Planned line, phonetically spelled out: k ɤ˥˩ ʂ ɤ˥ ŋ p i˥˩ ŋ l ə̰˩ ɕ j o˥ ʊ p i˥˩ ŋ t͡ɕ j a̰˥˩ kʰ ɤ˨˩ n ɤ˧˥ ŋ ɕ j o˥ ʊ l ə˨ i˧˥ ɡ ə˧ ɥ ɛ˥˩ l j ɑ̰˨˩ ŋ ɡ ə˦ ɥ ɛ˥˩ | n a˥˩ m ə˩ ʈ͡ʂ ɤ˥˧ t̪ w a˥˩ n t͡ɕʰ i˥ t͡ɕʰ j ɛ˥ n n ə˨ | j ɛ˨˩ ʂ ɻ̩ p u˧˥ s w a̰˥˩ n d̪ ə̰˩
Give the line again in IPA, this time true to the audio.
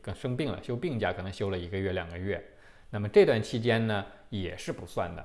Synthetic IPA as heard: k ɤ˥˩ ʂ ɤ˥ ŋ p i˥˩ ŋ l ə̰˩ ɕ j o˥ ʊ p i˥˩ ŋ t͡ɕ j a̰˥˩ kʰ ɤ˨˩ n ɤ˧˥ ŋ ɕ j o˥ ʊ l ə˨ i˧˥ ɡ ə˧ ɥ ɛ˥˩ l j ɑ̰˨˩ ŋ ɡ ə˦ ɥ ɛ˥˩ | n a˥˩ m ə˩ ʈ͡ʂ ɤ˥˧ t̪ w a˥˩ n t͡ɕʰ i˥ t͡ɕ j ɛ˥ n n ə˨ | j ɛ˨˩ ʂ ɻ̩ p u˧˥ s w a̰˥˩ n d̪ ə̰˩